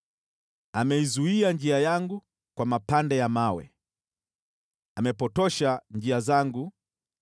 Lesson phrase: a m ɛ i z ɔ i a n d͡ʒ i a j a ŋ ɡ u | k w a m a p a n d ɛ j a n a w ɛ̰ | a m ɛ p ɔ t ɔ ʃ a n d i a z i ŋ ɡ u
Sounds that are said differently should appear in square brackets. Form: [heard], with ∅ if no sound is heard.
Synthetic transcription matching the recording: a m ɛ i z [u] i a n d͡ʒ i a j a ŋ ɡ u | k w a m a p a n d ɛ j a [m] a w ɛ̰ | a m ɛ p ɔ t ɔ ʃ a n [d͡ʒ] i a z [a] ŋ ɡ u